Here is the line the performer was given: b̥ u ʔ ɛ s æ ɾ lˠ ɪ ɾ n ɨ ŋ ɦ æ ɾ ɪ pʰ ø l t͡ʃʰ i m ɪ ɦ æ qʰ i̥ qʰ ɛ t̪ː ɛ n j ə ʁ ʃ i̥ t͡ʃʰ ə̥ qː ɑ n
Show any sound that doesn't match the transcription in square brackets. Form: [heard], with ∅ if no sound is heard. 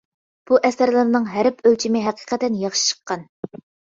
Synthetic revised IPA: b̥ u ʔ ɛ s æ ɾ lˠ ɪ ɾ n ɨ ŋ ɦ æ ɾ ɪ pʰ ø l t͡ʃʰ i m ɪ ɦ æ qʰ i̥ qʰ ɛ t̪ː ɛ n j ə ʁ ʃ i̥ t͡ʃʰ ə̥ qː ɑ n